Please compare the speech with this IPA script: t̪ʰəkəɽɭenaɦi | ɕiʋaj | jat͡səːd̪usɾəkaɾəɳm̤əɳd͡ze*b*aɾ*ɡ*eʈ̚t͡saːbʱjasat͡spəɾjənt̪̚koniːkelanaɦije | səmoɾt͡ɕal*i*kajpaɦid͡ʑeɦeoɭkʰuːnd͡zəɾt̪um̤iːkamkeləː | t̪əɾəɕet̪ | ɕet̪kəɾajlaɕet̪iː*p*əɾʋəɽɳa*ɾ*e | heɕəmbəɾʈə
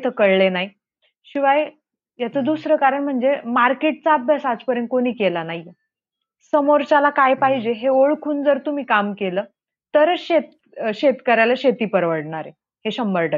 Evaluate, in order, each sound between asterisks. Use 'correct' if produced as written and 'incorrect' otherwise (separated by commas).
incorrect, incorrect, incorrect, correct, correct